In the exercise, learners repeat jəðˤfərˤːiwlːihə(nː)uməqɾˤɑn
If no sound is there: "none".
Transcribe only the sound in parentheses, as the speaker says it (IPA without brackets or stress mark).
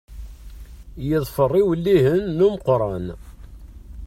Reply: nː